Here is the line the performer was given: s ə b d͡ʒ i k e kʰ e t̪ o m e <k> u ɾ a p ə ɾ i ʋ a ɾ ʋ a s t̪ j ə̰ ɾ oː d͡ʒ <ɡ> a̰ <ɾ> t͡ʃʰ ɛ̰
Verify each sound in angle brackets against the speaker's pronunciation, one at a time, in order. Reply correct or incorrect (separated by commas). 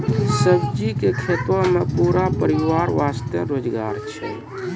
incorrect, correct, correct